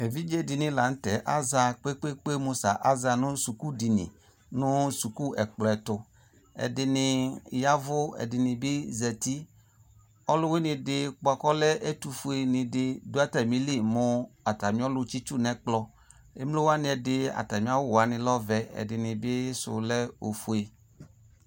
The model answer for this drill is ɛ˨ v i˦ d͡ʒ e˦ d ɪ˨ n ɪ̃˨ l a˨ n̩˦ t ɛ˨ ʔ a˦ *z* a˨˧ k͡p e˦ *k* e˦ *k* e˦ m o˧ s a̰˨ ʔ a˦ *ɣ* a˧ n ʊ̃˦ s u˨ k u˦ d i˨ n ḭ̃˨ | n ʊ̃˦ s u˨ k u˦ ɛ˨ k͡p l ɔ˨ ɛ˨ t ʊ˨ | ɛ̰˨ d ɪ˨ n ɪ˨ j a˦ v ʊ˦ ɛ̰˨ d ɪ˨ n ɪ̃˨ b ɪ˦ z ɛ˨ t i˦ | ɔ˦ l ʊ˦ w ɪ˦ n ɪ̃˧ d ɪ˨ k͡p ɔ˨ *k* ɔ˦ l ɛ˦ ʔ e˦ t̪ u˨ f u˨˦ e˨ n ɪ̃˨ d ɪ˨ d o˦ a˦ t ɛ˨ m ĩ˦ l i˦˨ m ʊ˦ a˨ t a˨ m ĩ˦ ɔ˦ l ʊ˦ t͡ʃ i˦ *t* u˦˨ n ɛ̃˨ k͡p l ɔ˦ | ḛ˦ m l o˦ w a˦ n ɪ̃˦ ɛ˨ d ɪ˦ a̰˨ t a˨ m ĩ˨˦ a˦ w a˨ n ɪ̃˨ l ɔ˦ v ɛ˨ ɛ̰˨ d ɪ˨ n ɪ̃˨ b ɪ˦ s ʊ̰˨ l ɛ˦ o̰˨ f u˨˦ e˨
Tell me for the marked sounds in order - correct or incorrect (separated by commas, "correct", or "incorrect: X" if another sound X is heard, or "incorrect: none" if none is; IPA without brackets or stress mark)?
correct, incorrect: k͡p, incorrect: k͡p, incorrect: z, correct, incorrect: t͡ʃ